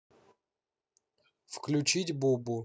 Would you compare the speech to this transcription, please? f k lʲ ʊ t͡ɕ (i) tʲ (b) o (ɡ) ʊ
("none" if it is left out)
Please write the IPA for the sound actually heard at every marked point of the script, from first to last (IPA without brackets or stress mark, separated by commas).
i, b, b